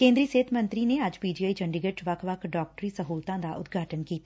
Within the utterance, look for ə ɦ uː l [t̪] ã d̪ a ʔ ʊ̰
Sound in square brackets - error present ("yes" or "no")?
no